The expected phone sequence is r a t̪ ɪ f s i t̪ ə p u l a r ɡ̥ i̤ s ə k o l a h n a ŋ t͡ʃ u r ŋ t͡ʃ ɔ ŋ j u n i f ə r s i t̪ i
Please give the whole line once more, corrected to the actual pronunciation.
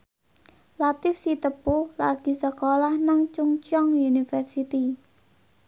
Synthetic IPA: l a t̪ ɪ f s i t̪ ə p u l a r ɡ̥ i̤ s ə k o l a h n a ŋ t͡ʃ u ŋ t͡ʃ ɔ ŋ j u n i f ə r s i t̪ i